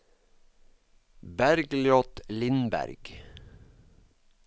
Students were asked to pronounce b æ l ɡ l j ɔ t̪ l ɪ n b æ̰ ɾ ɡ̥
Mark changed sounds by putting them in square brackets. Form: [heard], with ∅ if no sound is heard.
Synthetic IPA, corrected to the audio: b æ [ɾ] ɡ l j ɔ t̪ l ɪ n b æ̰ ɾ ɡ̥